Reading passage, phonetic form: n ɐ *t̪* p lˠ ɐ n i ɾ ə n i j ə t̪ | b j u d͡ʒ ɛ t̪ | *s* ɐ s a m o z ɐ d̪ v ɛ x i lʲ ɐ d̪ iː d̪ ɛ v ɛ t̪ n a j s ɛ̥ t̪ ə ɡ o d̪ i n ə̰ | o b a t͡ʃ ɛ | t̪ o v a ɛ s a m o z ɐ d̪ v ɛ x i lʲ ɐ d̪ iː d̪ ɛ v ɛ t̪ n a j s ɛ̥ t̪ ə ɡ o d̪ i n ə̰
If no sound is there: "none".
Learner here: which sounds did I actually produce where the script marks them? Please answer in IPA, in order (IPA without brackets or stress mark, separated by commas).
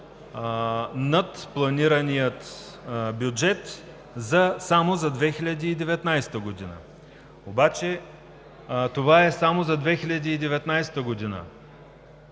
t̪, z